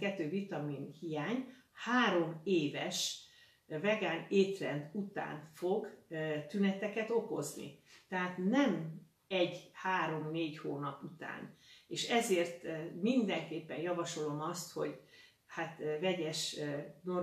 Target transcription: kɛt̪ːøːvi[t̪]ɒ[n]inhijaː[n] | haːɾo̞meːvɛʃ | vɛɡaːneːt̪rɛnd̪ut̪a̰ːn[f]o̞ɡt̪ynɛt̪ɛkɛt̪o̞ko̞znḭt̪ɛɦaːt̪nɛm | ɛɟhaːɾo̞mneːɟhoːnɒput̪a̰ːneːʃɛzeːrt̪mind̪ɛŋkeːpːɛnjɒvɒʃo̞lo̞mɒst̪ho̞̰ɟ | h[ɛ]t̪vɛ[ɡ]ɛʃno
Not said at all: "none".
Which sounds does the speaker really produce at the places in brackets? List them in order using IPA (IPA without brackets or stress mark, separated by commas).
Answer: t̪, m, ɲ, f, a, ɟ